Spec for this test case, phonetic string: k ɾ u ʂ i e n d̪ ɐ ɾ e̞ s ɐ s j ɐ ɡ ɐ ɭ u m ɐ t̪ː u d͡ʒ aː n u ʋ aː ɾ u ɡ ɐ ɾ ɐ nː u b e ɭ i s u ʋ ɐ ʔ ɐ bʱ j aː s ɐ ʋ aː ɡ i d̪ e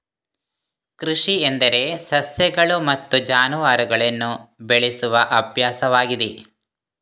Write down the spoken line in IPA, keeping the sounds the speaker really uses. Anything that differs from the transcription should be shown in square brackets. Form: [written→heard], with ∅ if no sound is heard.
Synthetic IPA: k ɾ u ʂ i e n d̪ ɐ ɾ e̞ s ɐ s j ɐ ɡ ɐ ɭ u m ɐ t̪ː u d͡ʒ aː n u ʋ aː ɾ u ɡ ɐ [ɾ→ɭ] ɐ nː u b e ɭ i s u ʋ ɐ ʔ ɐ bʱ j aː s ɐ ʋ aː ɡ i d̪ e

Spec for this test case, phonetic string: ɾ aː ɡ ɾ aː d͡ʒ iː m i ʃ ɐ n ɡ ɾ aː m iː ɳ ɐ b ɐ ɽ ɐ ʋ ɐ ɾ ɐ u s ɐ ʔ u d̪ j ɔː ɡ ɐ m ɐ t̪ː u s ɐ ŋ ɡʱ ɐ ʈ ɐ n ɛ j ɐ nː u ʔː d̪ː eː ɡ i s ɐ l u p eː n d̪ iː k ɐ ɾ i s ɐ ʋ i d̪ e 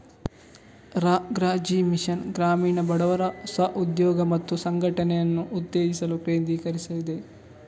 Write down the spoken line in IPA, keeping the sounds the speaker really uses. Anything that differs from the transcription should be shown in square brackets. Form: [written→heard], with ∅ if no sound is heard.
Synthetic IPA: ɾ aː ɡ ɾ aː d͡ʒ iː m i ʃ ɐ n ɡ ɾ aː m iː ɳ ɐ b ɐ ɽ ɐ ʋ ɐ ɾ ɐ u s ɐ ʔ u d̪ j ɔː ɡ ɐ m ɐ t̪ː u s ɐ ŋ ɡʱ ɐ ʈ ɐ n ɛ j ɐ nː u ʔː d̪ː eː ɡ i s ɐ l u p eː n d̪ iː k ɐ ɾ i s ɐ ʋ i d̪ e

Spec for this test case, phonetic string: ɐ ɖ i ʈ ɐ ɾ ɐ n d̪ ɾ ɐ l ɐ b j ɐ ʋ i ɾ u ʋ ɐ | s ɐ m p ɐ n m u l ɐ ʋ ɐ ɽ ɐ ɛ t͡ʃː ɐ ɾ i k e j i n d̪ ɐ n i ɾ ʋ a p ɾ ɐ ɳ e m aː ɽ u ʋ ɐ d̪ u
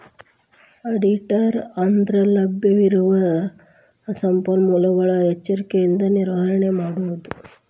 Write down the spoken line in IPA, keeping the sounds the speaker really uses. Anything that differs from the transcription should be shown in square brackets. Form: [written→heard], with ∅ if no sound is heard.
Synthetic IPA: ɐ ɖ i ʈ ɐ ɾ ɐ n d̪ ɾ ɐ l ɐ b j ɐ ʋ i ɾ u ʋ ɐ | s ɐ m p ɐ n m u l ɐ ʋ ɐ [ɽ→ɭ] ɐ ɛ t͡ʃː ɐ ɾ i k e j i n d̪ ɐ n i ɾ ʋ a [p→∅] ɾ ɐ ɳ e m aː ɽ u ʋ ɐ d̪ u

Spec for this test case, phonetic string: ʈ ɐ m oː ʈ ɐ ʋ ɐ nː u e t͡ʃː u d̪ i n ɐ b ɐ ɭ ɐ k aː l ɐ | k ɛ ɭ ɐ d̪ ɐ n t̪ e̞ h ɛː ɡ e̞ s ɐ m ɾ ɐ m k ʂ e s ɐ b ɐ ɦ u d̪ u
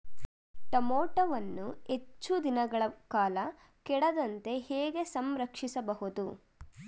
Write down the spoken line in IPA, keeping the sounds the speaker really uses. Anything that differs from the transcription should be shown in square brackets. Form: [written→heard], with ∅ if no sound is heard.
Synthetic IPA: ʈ ɐ m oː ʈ ɐ ʋ ɐ nː u e t͡ʃː u d̪ i n ɐ [b→ɡ] ɐ ɭ ɐ k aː l ɐ | k ɛ [ɭ→ɽ] ɐ d̪ ɐ n t̪ e̞ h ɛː ɡ e̞ s ɐ m ɾ ɐ [m→∅] k ʂ [e→i] s ɐ b ɐ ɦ u d̪ u

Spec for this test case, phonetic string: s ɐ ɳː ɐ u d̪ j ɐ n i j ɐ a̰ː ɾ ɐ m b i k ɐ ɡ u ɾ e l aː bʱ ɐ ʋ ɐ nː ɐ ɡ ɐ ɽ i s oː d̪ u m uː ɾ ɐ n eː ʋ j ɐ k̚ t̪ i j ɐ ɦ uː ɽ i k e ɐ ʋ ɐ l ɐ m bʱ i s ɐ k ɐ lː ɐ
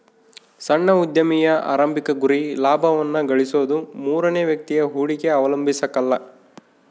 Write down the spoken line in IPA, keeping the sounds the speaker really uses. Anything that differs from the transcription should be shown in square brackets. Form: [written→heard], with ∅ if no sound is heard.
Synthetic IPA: s ɐ ɳː ɐ u d̪ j ɐ [n→m] i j ɐ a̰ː ɾ ɐ m b i k ɐ ɡ u ɾ [e→i] l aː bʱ ɐ ʋ ɐ nː ɐ ɡ ɐ [ɽ→ɭ] i s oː d̪ u m uː ɾ ɐ n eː ʋ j ɐ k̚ t̪ i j ɐ ɦ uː ɽ i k e ɐ ʋ ɐ l ɐ m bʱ i s ɐ k ɐ lː ɐ

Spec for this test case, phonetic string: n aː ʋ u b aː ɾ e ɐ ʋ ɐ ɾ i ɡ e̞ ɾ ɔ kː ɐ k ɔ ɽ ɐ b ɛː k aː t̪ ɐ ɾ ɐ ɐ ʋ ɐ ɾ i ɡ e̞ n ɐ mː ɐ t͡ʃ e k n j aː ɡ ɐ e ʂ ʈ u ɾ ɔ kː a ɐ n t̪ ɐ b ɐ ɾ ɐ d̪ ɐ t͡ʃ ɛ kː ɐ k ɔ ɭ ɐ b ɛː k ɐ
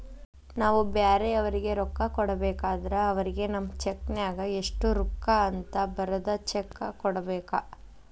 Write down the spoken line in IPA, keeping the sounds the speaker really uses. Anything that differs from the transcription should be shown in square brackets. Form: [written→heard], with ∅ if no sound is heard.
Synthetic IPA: n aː ʋ u b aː ɾ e ɐ ʋ ɐ ɾ i ɡ e̞ ɾ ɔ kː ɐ k ɔ ɽ ɐ b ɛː k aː [t̪→d̪] ɐ ɾ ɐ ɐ ʋ ɐ ɾ i ɡ e̞ n ɐ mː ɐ t͡ʃ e k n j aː ɡ ɐ e ʂ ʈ u ɾ [ɔ→u] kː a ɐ n t̪ ɐ b ɐ ɾ ɐ d̪ ɐ t͡ʃ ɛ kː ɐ k ɔ [ɭ→ɽ] ɐ b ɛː k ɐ

